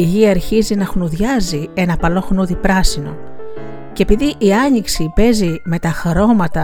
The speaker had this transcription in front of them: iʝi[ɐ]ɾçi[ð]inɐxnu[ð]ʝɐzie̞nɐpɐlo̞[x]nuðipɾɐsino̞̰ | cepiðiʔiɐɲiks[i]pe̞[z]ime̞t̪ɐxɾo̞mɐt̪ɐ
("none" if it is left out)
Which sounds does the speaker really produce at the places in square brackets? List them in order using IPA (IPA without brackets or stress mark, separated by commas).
ɐː, z, ð, x, i, z